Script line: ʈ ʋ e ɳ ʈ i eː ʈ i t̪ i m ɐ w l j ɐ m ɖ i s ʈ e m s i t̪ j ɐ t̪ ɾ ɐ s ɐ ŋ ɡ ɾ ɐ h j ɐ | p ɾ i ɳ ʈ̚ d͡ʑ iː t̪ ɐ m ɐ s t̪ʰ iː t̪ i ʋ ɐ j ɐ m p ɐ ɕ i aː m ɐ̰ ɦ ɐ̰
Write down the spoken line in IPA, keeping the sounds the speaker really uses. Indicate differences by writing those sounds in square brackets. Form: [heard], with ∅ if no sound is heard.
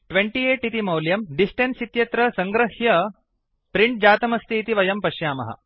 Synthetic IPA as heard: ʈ ʋ e ɳ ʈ i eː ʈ i t̪ i m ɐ w l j ɐ m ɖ i s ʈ e [n] s i t̪ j ɐ t̪ ɾ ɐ s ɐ ŋ ɡ ɾ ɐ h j ɐ | p ɾ i ɳ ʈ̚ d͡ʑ [aː] t̪ ɐ m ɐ s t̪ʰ iː t̪ i ʋ ɐ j ɐ m p ɐ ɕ [j] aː m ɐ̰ ɦ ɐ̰